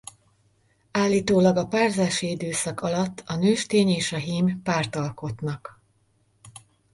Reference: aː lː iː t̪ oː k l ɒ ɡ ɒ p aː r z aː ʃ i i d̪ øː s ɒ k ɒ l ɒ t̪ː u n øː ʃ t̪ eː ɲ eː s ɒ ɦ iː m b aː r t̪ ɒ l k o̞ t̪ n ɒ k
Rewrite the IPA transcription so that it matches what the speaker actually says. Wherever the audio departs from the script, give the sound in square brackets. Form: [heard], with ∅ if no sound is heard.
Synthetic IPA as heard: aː lː iː t̪ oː [∅] l ɒ ɡ ɒ p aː r z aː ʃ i i d̪ øː s ɒ k ɒ l ɒ t̪ː [ɒ] n øː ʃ t̪ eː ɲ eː [ʃ] ɒ ɦ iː m [p] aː r t̪ ɒ l k o̞ t̪ n ɒ k

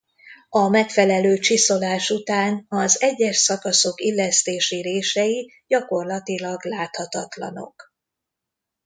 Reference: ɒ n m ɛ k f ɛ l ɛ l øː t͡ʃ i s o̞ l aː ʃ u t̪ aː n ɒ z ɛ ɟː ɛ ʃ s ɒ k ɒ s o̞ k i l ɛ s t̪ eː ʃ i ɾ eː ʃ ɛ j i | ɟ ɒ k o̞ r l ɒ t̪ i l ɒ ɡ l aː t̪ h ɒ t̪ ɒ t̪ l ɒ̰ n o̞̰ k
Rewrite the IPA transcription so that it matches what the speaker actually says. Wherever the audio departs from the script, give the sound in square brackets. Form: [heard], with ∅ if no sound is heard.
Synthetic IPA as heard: ɒ [∅] m ɛ k f ɛ l ɛ l øː t͡ʃ i s o̞ l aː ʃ u t̪ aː n ɒ z ɛ ɟː ɛ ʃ s ɒ k ɒ s o̞ k i [lː] ɛ s t̪ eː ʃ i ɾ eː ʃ ɛ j i | ɟ ɒ k o̞ r l ɒ t̪ i l ɒ ɡ l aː t̪ h ɒ t̪ ɒ t̪ l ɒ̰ n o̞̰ k

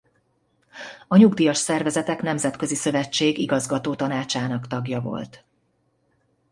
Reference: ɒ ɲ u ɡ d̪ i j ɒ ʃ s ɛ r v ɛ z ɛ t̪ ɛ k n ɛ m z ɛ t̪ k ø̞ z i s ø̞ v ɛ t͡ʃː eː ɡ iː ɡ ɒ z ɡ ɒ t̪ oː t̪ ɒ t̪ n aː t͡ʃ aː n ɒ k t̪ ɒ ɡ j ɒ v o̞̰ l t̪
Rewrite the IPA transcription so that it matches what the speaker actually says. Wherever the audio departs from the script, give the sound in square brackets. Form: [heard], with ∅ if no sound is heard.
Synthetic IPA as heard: ɒ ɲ u ɡ d̪ i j ɒ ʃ s ɛ r v ɛ z ɛ t̪ ɛ k n ɛ m z ɛ t̪ k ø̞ z i s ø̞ v ɛ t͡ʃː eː ɡ [i] ɡ ɒ z ɡ ɒ t̪ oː t̪ ɒ [∅] n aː t͡ʃ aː n ɒ k t̪ ɒ ɡ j ɒ v o̞̰ l t̪

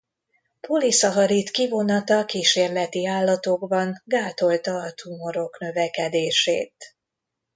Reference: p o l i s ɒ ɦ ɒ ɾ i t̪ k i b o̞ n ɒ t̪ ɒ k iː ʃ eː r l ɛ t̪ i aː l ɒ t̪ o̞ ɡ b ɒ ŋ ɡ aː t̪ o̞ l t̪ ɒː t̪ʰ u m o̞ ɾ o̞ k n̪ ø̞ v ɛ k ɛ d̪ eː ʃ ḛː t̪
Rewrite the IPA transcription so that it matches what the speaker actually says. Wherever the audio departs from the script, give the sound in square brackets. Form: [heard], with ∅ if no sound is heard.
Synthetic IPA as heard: p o l i s ɒ ɦ ɒ ɾ i t̪ k i [v] o̞ n ɒ t̪ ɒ k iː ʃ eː r l ɛ t̪ i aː [lː] ɒ t̪ o̞ ɡ b ɒ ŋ ɡ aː t̪ o̞ l t̪ ɒː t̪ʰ u m o̞ ɾ o̞ k n̪ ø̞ v ɛ k ɛ d̪ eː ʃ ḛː t̪

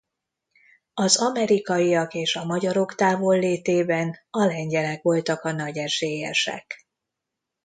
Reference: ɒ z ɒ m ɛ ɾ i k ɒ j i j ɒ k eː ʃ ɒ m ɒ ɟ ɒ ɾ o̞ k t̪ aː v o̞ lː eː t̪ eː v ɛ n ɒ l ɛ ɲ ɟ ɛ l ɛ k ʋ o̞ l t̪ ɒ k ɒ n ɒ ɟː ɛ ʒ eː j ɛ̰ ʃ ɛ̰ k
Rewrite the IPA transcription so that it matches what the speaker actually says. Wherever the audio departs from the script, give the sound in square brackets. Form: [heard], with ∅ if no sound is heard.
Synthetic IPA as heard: ɒ z ɒ m ɛ ɾ i k ɒ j i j ɒ k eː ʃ ɒ m ɒ ɟ ɒ ɾ o̞ k t̪ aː v o̞ lː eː t̪ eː [b] ɛ n ɒ l ɛ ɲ ɟ ɛ l ɛ k ʋ o̞ l t̪ ɒ k ɒ n ɒ [ɟ] ɛ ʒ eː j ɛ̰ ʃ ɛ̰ k

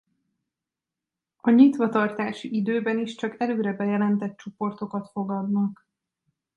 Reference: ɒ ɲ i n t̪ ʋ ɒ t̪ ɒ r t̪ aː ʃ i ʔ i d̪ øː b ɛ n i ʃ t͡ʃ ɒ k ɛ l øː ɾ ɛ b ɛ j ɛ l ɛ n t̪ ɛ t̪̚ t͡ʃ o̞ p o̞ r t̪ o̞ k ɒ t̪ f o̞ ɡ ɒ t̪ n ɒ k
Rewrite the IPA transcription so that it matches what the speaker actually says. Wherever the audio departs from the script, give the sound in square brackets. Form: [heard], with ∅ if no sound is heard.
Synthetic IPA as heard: ɒ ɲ i [∅] t̪ ʋ ɒ t̪ ɒ r t̪ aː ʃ i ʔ i d̪ øː b ɛ n i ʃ t͡ʃ ɒ k ɛ l øː ɾ ɛ b ɛ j ɛ l ɛ n t̪ ɛ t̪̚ t͡ʃ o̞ p o̞ r t̪ o̞ k ɒ t̪ f o̞ ɡ ɒ [d̪] n ɒ k

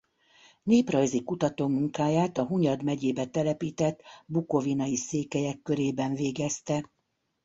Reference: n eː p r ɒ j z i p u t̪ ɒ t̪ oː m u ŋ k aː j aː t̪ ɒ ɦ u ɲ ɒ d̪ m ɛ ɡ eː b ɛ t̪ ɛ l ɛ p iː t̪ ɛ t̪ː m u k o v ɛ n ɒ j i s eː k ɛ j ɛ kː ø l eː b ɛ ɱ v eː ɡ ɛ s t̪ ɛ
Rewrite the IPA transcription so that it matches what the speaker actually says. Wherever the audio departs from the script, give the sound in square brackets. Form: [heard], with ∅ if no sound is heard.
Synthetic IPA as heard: n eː p r ɒ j z i [k] u t̪ ɒ t̪ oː m u ŋ k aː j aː t̪ ɒ ɦ u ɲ ɒ d̪ m ɛ [ɟ] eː b ɛ t̪ ɛ l ɛ p iː t̪ ɛ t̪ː [b] u k o v [i] n ɒ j i s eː k ɛ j ɛ kː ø [ɾ] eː b ɛ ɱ v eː ɡ ɛ s t̪ ɛ

